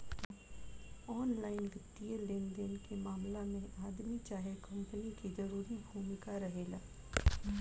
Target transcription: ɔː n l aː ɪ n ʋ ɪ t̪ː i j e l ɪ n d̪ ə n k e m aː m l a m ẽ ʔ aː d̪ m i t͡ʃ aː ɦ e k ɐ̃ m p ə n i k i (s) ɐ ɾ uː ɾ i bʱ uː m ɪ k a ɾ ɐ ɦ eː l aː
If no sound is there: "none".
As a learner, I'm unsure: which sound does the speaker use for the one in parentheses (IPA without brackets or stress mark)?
z